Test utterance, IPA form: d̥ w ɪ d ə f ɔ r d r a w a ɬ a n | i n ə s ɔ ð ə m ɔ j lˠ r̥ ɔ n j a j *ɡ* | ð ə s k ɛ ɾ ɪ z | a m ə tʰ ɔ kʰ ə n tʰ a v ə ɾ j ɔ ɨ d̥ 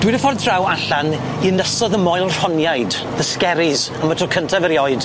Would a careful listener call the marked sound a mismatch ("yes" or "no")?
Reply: yes